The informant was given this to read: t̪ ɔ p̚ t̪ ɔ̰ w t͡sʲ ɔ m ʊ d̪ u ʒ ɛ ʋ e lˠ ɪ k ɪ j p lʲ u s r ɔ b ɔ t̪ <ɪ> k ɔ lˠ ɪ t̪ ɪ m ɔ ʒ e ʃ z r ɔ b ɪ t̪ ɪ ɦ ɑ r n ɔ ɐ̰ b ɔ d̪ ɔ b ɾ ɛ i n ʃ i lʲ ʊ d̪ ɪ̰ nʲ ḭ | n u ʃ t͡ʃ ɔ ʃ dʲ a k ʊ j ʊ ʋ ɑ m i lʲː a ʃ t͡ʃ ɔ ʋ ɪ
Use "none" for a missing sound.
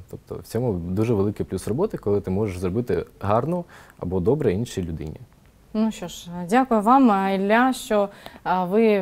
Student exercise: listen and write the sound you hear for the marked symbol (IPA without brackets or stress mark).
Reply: ɪ